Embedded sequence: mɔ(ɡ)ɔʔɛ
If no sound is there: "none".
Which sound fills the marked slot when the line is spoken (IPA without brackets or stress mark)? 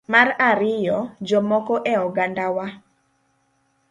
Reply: k